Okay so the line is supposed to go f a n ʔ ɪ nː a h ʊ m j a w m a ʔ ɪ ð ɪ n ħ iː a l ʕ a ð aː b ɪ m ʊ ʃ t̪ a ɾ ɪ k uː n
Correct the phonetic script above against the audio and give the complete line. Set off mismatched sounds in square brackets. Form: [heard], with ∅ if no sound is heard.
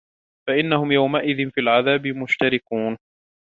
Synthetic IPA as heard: f a [∅] ʔ ɪ nː a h ʊ m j a w m a ʔ ɪ ð ɪ n [f] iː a l ʕ a ð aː b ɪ m ʊ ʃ t̪ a ɾ ɪ k uː n